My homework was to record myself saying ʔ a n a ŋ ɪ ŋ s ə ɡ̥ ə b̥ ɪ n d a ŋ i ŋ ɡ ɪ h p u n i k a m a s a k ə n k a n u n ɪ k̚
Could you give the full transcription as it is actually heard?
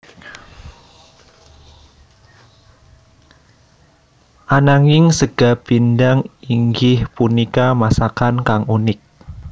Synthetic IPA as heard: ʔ a n a ŋ ɪ ŋ s ə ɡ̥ a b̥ i n d a ŋ i ŋ ɡ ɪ h p u n i k a m a s a k a n k a ŋ u n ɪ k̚